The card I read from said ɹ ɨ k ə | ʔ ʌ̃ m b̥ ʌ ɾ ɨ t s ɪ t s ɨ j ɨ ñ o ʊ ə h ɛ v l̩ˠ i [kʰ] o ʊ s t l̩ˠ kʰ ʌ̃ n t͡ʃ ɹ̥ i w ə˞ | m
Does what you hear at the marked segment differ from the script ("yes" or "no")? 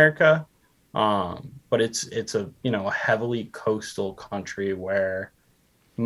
no